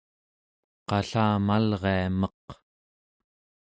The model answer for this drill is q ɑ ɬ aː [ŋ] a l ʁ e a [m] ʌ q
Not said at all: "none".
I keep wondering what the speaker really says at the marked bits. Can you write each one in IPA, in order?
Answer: m, m

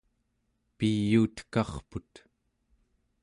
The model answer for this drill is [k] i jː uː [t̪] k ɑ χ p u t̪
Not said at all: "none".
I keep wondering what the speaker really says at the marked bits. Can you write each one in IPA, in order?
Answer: p, t̪

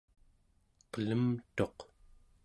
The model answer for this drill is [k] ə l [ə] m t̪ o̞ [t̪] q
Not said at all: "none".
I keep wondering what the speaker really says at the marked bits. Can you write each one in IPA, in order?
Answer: q, ə, none

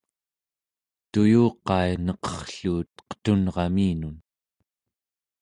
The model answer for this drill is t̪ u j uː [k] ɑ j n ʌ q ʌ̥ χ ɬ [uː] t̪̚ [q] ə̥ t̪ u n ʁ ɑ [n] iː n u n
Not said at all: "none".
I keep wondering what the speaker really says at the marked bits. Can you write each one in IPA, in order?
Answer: q, uː, q, m

